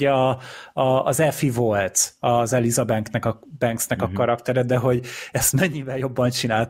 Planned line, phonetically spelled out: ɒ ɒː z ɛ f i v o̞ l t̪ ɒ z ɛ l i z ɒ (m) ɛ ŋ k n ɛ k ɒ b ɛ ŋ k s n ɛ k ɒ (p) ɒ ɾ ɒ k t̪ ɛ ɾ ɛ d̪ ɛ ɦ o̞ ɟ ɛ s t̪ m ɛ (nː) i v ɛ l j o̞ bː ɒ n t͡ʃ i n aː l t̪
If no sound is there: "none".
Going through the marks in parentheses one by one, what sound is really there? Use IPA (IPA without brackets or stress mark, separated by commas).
b, k, ɲː